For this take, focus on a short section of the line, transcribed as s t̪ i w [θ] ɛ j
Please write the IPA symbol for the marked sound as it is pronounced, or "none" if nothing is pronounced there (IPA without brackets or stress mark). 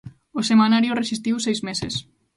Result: s